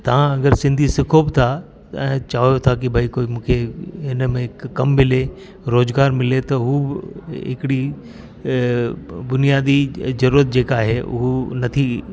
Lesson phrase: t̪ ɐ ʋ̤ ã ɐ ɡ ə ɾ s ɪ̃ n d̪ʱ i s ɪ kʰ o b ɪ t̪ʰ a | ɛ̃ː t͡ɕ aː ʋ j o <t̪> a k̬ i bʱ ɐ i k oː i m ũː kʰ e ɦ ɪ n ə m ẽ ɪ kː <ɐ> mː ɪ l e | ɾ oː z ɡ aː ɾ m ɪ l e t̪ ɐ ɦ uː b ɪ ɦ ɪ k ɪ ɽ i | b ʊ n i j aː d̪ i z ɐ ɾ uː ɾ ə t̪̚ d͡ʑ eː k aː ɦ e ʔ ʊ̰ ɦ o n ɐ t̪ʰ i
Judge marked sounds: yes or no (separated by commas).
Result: no, yes